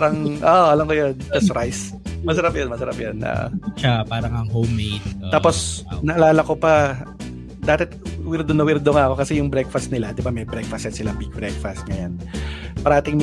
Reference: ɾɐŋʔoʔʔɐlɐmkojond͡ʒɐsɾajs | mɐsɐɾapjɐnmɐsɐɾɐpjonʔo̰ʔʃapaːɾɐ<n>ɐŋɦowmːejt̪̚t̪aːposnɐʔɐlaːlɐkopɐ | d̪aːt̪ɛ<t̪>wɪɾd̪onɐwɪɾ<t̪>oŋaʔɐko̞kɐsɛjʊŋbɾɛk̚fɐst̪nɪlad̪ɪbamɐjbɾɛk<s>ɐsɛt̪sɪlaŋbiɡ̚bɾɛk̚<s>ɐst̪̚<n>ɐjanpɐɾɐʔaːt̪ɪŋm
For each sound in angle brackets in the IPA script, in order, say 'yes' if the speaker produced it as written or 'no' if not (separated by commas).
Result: no, yes, no, no, no, no